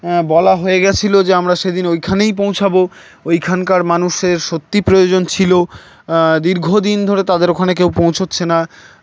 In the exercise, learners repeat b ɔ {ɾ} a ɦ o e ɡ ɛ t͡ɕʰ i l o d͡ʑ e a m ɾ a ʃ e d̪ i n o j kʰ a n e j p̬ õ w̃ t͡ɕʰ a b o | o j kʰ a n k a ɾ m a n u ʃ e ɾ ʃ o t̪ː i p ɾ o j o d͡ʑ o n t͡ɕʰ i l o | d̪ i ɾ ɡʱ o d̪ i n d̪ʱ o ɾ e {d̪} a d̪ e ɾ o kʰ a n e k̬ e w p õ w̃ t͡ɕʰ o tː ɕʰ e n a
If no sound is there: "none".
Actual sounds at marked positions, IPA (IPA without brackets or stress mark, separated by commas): l, t̪